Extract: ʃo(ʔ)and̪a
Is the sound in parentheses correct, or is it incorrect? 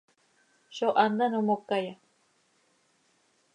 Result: correct